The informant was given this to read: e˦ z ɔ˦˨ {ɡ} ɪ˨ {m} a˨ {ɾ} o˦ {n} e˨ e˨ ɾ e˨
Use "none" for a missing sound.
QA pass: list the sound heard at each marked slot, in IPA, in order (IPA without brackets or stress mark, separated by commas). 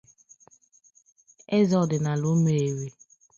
d, n, l, m